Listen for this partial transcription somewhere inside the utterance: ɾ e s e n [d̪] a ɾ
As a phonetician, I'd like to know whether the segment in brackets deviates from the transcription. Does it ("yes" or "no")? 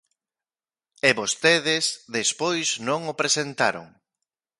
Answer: yes